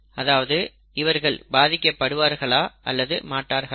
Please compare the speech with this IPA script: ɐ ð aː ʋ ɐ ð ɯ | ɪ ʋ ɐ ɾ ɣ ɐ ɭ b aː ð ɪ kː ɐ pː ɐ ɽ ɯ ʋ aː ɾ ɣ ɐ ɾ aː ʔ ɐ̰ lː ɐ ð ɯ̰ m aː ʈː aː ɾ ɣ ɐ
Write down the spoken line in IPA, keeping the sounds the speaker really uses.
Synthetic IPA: ɐ ð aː ʋ ɐ ð ɯ | ɪ ʋ ɐ ɾ ɣ ɐ ɭ b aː ð ɪ kː ɐ pː ɐ ɽ ɯ ʋ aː ɾ ɣ ɐ ɭ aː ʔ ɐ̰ lː ɐ ð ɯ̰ m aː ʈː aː ɾ ɣ ɐ